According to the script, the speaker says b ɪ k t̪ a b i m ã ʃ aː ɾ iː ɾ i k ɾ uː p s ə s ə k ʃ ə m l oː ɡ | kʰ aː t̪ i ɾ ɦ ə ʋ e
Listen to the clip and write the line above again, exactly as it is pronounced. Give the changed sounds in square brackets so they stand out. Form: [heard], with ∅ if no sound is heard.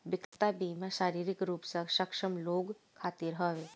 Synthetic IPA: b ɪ k t̪ a b i m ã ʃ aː ɾ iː ɾ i k ɾ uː p s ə [ʃ] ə k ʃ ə m l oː ɡ | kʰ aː t̪ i ɾ ɦ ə ʋ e